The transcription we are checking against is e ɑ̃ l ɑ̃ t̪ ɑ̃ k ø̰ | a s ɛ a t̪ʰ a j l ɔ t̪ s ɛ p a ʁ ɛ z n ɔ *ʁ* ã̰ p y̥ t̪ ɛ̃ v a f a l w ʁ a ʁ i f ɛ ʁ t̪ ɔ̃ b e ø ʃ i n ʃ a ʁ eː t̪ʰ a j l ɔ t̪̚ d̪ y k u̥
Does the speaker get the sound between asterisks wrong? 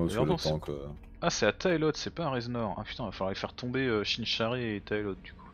no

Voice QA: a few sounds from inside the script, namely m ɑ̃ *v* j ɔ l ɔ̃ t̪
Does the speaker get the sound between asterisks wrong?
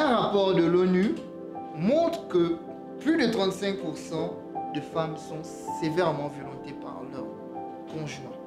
no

